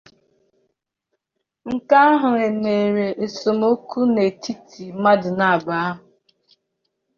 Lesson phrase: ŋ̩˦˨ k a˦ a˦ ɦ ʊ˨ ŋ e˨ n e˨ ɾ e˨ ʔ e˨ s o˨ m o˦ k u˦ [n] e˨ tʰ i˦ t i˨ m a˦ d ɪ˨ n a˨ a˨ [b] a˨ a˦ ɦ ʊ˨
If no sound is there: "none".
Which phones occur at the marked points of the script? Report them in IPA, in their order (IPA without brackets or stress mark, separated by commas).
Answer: n, b